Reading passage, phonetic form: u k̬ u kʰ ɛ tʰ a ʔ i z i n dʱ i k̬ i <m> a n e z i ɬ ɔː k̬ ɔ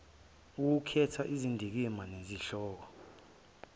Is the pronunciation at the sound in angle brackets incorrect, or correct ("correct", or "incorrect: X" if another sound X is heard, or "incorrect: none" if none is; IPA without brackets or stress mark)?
correct